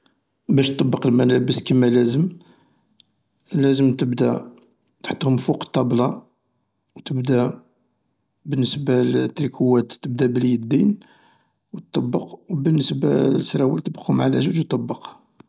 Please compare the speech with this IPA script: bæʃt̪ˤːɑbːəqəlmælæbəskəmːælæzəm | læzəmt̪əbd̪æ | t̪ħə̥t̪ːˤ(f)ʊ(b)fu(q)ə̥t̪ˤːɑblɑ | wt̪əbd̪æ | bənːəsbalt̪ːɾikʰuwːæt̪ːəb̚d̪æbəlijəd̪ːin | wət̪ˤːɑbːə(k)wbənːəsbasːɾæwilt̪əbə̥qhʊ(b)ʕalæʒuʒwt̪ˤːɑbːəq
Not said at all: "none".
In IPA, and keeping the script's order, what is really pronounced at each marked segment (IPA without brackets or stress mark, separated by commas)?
h, m, q, q, m